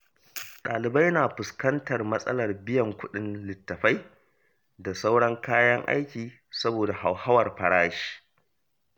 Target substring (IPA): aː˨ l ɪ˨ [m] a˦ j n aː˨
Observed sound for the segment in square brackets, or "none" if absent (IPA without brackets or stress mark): b